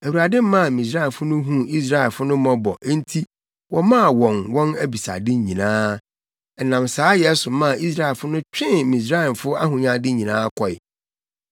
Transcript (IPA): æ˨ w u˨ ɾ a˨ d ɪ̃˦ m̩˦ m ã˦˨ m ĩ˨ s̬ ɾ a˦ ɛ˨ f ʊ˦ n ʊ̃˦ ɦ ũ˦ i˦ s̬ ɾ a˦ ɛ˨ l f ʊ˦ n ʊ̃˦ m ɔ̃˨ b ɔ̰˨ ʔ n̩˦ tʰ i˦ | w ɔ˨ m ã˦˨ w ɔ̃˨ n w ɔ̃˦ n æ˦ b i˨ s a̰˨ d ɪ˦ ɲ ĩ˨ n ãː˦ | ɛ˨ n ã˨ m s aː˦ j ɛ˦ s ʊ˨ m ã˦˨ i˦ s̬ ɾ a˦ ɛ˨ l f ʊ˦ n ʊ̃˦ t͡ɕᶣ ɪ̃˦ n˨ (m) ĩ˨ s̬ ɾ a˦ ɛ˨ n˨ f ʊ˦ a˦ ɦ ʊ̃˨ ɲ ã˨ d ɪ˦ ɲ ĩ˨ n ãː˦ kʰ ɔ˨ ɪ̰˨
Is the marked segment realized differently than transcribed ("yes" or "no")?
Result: no